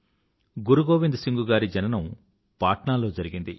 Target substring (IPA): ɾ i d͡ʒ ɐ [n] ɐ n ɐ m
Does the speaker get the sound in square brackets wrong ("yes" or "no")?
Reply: no